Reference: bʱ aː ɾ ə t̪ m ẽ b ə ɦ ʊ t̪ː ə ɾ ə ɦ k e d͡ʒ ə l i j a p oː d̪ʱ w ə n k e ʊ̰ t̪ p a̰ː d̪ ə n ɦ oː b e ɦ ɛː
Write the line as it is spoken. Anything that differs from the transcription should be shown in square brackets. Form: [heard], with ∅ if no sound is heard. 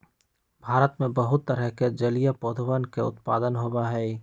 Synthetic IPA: bʱ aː ɾ ə t̪ m ẽ b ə ɦ ʊ t̪ː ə ɾ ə ɦ k e d͡ʒ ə l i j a p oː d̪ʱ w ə n k e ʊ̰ t̪ p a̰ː d̪ ə n ɦ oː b [a] ɦ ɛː